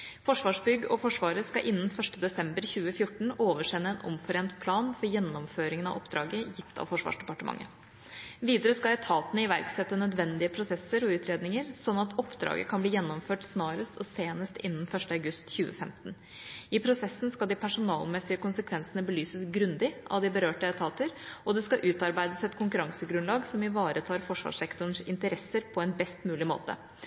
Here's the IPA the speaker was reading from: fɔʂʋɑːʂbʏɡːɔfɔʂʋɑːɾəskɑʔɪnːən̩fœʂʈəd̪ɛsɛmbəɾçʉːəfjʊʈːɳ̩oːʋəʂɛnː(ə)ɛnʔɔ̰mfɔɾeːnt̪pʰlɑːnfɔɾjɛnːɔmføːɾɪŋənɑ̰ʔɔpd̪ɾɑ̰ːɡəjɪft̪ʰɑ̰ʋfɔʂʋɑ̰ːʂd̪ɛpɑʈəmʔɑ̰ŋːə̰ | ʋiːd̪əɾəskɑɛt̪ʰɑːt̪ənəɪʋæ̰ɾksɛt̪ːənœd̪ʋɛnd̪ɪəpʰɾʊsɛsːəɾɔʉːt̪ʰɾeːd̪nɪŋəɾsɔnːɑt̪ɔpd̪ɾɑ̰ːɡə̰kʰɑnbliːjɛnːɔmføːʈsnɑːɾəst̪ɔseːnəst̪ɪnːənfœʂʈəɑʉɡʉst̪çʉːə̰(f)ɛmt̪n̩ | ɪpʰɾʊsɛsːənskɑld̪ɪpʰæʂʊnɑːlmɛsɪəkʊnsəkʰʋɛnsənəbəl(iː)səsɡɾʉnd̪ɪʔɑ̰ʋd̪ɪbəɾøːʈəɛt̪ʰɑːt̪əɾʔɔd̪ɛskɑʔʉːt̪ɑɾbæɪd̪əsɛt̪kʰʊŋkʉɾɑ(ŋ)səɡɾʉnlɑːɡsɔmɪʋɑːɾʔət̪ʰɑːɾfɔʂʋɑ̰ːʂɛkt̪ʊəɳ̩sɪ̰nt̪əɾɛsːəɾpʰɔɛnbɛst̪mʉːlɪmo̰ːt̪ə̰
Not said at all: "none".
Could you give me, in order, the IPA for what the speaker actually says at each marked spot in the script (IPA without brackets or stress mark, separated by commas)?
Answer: ə, f, yː, ŋ